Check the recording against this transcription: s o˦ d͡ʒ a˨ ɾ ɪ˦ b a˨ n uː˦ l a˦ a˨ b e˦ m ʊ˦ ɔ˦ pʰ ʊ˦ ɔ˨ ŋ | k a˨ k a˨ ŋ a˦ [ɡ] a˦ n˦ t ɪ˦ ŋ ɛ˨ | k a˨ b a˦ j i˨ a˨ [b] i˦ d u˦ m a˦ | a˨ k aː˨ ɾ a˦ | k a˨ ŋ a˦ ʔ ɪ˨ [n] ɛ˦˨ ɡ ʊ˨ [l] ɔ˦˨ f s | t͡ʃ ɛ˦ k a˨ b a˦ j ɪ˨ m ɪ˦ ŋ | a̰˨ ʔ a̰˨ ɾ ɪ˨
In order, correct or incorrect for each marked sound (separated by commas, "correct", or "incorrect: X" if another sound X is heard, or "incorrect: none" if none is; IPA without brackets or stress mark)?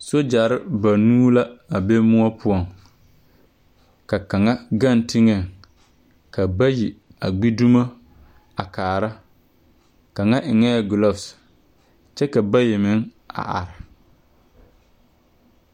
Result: correct, incorrect: ɡ͡b, incorrect: ŋ, correct